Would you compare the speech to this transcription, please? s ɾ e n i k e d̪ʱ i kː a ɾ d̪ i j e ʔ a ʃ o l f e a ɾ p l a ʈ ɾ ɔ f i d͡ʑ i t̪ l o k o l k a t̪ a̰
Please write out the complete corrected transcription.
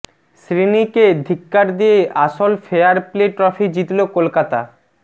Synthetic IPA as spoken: s ɾ i n i k e d̪ʱ i kː a ɾ d̪ i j e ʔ a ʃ o l f e a ɾ p l e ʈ ɾ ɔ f i d͡ʑ i t̪ l o k o l k a t̪ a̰